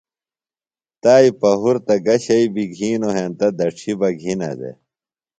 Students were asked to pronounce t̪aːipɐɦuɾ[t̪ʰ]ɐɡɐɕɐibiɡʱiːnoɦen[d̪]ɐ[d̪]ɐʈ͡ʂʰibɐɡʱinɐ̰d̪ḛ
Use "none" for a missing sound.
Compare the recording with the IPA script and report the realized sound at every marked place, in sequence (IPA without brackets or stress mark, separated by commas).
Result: t̪, t̪, d̪